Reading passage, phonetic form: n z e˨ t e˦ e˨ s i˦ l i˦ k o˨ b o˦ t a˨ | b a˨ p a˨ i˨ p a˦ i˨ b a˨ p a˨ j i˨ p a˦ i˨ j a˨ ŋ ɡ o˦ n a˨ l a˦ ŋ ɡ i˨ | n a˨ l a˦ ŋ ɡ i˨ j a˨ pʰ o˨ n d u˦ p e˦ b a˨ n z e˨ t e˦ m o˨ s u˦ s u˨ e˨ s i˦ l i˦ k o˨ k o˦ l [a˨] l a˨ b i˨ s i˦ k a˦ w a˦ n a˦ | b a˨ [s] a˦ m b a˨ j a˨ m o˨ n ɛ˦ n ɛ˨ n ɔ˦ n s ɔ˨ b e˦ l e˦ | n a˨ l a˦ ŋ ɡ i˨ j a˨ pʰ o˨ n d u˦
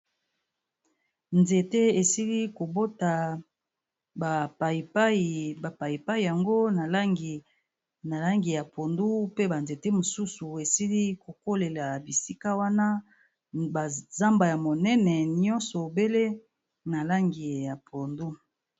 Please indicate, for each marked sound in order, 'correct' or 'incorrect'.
incorrect: e˨, incorrect: z

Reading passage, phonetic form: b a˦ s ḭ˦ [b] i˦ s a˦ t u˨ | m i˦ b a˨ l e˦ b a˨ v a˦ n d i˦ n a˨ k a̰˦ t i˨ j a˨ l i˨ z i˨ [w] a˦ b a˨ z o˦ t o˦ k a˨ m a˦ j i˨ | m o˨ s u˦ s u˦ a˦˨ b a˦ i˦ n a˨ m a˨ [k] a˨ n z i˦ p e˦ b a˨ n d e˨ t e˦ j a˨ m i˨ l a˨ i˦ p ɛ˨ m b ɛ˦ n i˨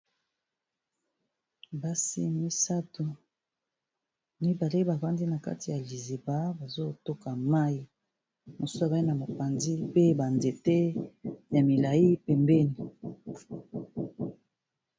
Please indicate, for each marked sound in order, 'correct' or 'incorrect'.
incorrect: m, incorrect: b, incorrect: p

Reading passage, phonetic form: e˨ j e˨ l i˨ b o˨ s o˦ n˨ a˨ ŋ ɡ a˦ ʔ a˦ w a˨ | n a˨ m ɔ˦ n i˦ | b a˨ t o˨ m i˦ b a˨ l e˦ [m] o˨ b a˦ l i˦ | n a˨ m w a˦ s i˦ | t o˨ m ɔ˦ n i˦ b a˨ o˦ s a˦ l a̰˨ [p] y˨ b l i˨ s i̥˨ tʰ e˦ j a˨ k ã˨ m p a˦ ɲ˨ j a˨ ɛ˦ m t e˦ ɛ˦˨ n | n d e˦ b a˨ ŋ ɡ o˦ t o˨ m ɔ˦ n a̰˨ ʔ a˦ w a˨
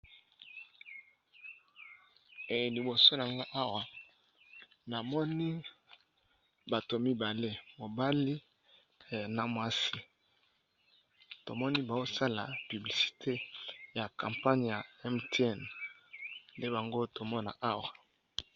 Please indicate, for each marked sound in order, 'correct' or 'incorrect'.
correct, correct

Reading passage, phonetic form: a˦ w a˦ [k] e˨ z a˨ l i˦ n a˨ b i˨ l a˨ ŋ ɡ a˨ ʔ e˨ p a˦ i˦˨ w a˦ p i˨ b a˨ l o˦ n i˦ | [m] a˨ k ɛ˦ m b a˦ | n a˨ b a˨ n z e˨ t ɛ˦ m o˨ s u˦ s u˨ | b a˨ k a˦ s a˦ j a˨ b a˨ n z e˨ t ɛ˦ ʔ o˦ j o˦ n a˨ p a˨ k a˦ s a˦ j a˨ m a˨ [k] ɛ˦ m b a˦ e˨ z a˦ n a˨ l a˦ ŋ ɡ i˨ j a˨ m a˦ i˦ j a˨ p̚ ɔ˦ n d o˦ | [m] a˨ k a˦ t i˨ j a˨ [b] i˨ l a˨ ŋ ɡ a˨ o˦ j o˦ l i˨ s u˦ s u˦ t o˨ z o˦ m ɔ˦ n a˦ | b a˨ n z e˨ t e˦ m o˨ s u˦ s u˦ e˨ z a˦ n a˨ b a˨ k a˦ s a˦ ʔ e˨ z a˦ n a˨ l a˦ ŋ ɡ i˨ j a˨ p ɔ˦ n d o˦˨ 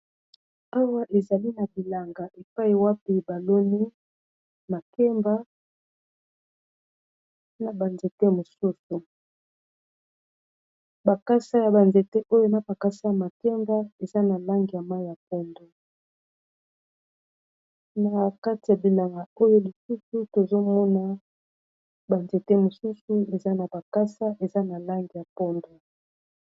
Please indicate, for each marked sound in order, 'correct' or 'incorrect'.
incorrect: ʔ, correct, correct, incorrect: n, correct

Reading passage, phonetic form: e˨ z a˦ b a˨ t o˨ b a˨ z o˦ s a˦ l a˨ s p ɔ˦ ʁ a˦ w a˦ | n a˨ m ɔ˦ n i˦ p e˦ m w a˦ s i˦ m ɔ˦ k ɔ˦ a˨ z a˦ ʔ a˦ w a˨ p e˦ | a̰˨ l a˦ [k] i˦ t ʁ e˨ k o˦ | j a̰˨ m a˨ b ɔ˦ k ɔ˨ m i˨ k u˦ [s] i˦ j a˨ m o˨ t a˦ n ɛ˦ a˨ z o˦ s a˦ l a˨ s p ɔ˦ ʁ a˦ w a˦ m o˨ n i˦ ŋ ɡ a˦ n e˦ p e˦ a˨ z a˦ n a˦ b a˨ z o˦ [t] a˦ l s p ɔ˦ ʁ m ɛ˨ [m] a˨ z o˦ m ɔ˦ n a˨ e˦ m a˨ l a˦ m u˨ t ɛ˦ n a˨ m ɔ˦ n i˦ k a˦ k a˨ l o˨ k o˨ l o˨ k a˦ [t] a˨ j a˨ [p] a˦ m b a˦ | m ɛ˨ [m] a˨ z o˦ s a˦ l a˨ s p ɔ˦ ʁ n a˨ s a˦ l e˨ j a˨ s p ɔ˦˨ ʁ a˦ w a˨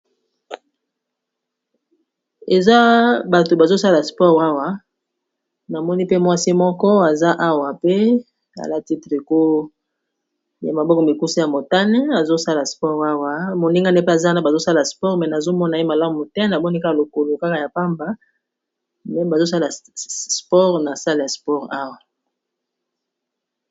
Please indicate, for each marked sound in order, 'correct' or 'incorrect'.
incorrect: t, correct, incorrect: s, incorrect: n, incorrect: k, correct, incorrect: b

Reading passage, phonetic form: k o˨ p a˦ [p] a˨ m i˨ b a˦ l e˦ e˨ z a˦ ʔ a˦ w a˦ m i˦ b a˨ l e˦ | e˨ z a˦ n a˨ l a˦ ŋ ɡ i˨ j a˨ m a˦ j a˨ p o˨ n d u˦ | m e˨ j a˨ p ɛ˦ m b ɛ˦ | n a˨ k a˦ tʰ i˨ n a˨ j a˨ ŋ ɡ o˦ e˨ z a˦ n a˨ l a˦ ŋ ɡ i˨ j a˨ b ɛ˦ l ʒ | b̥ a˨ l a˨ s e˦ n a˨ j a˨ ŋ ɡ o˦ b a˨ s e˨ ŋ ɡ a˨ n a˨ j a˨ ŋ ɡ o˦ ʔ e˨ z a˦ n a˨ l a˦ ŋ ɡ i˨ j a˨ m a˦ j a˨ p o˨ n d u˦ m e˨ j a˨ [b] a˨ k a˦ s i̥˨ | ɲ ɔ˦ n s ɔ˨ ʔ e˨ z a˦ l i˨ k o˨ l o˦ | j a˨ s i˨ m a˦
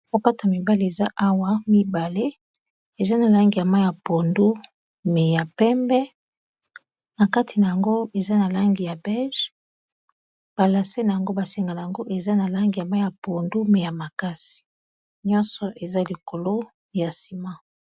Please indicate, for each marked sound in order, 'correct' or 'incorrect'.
incorrect: t, incorrect: m

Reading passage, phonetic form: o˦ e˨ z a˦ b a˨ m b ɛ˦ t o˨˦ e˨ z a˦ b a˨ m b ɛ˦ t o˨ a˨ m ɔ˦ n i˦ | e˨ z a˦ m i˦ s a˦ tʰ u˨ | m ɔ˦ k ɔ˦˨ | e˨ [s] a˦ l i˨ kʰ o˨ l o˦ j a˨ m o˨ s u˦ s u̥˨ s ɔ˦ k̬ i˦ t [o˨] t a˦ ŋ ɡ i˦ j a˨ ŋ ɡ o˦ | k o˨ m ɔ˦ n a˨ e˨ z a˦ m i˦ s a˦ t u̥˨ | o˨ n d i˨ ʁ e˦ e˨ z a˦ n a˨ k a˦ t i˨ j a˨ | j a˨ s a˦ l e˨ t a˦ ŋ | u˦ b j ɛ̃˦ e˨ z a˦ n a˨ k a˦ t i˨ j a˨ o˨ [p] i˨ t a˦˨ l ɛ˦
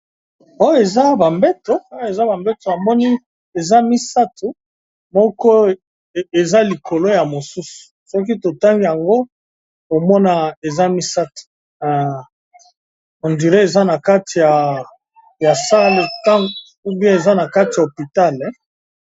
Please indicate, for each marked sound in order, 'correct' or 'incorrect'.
incorrect: z, correct, correct

